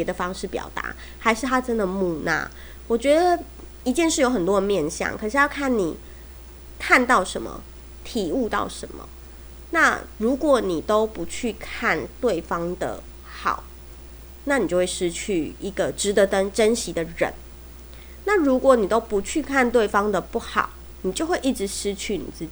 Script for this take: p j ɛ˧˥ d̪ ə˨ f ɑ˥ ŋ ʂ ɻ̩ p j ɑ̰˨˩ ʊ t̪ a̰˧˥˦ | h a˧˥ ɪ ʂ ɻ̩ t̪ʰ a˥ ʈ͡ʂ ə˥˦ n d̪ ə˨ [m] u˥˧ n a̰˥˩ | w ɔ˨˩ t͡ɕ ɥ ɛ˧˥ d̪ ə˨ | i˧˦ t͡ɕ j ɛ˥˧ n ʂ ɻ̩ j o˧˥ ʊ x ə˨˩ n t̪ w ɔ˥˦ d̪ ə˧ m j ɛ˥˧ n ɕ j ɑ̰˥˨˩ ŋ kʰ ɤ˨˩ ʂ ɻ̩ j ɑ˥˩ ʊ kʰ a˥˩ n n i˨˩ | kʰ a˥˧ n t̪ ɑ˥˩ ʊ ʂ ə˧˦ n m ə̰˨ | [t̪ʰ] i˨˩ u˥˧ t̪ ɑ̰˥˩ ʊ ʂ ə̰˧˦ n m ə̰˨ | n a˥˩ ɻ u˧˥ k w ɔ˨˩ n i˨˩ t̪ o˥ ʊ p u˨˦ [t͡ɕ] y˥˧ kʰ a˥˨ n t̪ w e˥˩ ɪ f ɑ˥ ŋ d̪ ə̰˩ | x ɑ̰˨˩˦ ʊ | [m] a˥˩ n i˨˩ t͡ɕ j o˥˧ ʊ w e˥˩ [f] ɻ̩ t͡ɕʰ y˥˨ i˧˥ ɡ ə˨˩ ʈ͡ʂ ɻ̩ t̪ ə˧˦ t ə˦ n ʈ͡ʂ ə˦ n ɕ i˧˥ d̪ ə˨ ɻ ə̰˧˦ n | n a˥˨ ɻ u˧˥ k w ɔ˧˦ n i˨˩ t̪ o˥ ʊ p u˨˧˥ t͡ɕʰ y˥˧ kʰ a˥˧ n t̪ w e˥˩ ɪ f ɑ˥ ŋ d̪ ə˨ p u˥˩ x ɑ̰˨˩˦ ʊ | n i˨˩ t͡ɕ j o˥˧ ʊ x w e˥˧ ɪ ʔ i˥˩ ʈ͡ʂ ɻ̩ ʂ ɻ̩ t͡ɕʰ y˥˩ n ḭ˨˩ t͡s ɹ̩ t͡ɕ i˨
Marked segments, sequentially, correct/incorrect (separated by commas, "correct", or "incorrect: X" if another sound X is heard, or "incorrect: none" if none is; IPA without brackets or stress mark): correct, correct, incorrect: t͡ɕʰ, incorrect: n, incorrect: ʂ